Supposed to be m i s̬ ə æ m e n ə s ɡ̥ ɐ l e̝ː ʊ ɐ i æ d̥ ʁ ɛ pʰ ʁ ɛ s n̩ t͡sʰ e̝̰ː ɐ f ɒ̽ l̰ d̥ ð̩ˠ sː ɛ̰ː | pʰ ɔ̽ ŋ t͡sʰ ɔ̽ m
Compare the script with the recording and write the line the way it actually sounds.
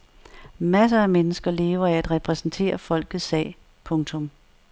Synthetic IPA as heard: m æ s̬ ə æ m e n ə s ɡ̥ ɐ l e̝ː ʊ ɐ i æ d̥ ʁ ɛ pʰ ʁ ɛ s n̩ t͡sʰ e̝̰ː ɐ f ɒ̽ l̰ ɡ̥ ð̩ˠ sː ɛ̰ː | pʰ ɔ̽ ŋ t͡sʰ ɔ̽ m